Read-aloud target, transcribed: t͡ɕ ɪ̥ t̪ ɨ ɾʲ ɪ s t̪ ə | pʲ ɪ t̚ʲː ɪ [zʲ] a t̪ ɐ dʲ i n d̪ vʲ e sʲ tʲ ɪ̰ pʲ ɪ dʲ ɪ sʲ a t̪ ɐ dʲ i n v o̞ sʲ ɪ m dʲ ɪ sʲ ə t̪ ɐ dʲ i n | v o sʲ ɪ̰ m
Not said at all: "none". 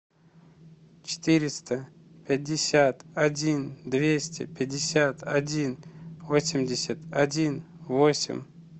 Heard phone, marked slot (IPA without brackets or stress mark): sʲ